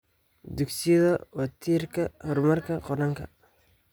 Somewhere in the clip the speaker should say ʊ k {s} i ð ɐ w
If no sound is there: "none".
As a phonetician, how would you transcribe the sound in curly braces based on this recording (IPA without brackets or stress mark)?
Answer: s